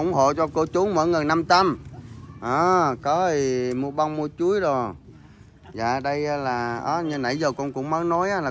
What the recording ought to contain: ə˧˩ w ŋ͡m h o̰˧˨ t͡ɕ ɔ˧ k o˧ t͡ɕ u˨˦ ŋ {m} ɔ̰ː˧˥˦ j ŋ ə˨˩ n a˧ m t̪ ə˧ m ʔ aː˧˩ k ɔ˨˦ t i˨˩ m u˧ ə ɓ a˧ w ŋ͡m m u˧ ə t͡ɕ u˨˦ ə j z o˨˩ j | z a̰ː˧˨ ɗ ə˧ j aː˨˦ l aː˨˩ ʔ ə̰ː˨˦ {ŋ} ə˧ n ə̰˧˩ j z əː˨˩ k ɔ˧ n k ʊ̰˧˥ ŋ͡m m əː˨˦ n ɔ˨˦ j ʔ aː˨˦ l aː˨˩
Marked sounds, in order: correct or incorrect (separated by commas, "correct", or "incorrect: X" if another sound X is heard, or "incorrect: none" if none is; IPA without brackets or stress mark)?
correct, incorrect: ɲ